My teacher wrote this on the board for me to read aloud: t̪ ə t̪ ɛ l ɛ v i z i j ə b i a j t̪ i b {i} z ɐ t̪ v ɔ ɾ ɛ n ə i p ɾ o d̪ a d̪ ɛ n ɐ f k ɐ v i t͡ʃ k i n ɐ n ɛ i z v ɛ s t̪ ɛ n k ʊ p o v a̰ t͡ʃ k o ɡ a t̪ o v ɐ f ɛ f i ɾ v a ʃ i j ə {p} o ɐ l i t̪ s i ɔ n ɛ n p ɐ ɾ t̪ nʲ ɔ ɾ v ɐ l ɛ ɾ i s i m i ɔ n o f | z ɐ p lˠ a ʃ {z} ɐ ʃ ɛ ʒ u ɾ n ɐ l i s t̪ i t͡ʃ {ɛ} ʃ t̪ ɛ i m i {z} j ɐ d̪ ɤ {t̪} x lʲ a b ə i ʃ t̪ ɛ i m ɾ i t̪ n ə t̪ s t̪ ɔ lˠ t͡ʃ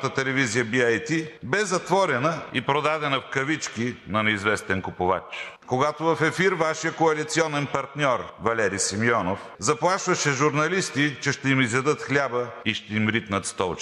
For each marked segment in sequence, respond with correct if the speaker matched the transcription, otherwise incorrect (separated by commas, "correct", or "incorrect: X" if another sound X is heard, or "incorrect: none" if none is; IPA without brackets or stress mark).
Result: incorrect: ɛ, incorrect: k, incorrect: v, correct, correct, correct